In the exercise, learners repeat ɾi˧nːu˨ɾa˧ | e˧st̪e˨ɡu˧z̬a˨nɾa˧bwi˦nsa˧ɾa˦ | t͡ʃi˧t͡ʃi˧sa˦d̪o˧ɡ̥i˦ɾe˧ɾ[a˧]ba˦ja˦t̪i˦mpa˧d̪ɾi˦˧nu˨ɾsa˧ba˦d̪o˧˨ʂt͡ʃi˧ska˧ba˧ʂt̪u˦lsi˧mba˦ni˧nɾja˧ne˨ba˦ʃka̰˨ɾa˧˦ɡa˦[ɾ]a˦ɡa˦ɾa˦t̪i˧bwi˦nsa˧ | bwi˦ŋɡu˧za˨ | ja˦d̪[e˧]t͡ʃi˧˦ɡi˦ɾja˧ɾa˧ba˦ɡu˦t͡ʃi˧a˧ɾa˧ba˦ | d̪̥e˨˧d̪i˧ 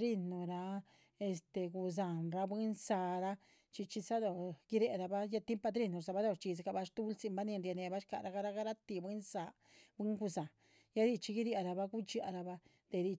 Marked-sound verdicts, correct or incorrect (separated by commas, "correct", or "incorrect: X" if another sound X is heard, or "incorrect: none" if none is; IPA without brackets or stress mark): correct, correct, incorrect: i˧